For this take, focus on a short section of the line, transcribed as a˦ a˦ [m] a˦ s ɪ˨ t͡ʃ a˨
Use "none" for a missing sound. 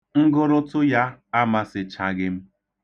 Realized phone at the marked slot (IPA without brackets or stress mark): m